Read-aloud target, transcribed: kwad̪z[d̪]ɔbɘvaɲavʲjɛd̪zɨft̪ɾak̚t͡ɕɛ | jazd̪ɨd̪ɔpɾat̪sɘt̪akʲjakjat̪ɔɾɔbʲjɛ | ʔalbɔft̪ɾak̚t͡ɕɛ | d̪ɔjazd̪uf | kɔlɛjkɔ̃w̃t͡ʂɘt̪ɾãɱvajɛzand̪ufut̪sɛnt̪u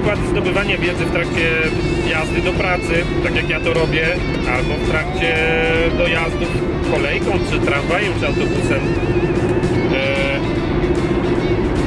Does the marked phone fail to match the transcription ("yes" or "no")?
no